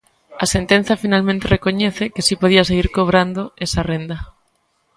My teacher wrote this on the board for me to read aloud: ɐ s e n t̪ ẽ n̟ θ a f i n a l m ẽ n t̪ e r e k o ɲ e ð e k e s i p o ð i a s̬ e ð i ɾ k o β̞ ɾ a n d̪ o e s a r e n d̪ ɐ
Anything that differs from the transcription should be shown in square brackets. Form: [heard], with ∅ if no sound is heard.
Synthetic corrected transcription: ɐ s e n t̪ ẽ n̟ θ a f i n a l m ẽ n t̪ e r e k o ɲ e [θ] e k e s i p o ð i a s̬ e [ɣ] i ɾ k o β̞ ɾ a n d̪ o e s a r e n d̪ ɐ